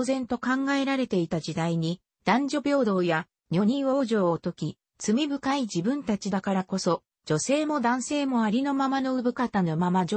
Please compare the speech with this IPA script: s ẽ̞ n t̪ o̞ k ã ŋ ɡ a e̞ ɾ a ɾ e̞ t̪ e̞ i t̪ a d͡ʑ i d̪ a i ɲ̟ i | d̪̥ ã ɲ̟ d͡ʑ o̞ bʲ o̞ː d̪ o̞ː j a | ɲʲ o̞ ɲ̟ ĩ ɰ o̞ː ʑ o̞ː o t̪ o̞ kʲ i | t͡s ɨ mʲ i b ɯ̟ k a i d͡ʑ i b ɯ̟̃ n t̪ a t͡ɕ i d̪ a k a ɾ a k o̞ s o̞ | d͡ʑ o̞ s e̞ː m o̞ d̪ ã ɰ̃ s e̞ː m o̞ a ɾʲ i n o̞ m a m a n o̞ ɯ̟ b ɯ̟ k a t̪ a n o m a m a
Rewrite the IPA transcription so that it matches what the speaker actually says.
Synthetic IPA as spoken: z ẽ̞ n t̪ o̞ k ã ŋ ɡ a e̞ ɾ a ɾ e̞ t̪ e̞ i t̪ a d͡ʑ i d̪ a i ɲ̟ i | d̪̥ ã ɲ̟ d͡ʑ o̞ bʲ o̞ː d̪ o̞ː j a | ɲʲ o̞ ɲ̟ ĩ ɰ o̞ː ʑ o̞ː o t̪ o̞ kʲ i | t͡s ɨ mʲ i b ɯ̟ k a i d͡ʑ i b ɯ̟̃ n t̪ a t͡ɕ i d̪ a k a ɾ a k o̞ s o̞ | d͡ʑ o̞ s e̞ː m o̞ d̪ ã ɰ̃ s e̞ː m o̞ a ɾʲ i n o̞ m a m a n o̞ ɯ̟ b ɯ̟ k a t̪ a n o m a m a